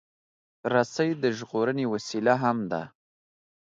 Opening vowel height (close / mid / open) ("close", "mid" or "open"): open